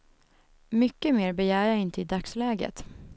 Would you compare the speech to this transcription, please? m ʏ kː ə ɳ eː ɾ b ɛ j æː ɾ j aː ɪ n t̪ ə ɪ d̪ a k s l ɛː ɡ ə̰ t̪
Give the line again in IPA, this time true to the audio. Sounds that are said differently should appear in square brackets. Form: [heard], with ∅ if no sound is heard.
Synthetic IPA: m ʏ kː ə [m] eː ɾ b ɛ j æː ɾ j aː ɪ n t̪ ə ɪ d̪ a k s l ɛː ɡ ə̰ t̪